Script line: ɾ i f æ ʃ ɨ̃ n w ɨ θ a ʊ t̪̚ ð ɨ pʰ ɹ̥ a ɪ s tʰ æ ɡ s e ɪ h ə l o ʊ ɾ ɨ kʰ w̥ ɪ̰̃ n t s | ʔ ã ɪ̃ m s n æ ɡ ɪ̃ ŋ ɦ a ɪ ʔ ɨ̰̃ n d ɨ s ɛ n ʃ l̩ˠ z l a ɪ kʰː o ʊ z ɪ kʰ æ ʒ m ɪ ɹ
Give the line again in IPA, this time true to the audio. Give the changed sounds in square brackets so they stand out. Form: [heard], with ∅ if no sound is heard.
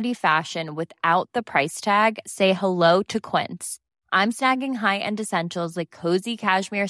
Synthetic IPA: ɾ i f æ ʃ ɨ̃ n w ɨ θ a ʊ t̪̚ ð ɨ pʰ ɹ̥ a ɪ s tʰ æ ɡ s e ɪ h ə l o ʊ ɾ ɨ kʰ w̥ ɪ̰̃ n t s | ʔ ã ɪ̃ m s n æ ɡ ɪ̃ ŋ ɦ a ɪ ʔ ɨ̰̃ n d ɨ s [ɛ̃] n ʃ l̩ˠ z l a ɪ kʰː o ʊ z [i] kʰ æ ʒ m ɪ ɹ